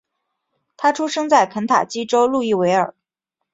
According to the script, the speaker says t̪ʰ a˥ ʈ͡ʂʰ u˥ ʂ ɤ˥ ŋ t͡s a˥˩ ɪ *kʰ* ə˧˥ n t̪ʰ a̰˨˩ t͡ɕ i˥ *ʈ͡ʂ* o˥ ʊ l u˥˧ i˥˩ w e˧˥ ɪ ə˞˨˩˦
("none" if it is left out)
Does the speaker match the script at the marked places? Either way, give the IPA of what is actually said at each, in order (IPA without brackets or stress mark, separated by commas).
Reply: kʰ, ʈ͡ʂ